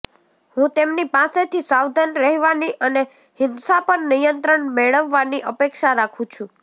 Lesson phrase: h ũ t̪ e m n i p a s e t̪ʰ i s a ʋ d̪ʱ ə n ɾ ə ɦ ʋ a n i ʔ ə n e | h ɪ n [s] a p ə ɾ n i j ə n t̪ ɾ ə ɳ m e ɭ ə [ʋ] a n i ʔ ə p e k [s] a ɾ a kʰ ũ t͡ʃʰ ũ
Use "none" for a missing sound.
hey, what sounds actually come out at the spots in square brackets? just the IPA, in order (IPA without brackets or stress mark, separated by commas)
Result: s, ʋː, ʃ